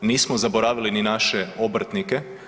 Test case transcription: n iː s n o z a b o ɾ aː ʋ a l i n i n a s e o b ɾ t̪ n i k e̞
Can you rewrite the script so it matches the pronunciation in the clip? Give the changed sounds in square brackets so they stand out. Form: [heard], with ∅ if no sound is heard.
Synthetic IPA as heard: n iː s [m] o z a b o ɾ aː ʋ [i] l i n i n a [ʃ] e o b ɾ t̪ n i k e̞